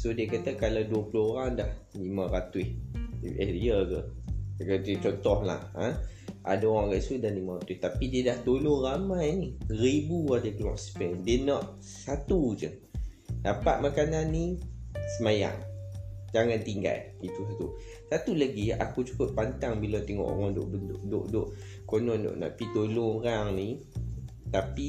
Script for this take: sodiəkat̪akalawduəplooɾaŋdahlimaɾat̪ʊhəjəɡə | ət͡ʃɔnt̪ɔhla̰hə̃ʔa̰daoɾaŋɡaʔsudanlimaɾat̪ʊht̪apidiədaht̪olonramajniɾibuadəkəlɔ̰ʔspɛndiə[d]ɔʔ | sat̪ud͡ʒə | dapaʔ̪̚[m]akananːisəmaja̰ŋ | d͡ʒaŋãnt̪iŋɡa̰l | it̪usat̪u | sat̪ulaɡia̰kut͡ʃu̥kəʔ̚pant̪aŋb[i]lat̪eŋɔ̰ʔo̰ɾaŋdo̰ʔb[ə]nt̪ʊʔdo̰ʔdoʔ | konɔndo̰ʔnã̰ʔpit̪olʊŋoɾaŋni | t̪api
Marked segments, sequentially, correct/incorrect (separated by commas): incorrect, correct, correct, correct